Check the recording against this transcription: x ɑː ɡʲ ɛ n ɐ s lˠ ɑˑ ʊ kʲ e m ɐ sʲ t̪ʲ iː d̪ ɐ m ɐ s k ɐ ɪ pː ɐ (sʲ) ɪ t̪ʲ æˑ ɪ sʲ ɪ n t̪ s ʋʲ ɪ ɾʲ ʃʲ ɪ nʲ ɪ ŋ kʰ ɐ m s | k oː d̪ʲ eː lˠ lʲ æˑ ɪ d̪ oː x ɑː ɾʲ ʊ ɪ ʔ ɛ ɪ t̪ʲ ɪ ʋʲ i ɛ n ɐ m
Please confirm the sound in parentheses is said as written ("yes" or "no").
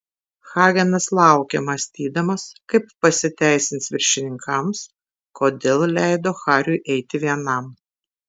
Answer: yes